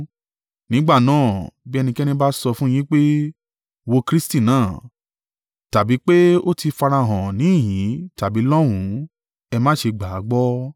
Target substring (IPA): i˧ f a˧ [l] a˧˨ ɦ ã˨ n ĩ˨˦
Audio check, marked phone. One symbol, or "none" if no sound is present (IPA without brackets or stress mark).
ɾ